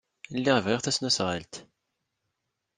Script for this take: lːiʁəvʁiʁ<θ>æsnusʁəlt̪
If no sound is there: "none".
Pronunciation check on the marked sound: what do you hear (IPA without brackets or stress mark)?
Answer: θ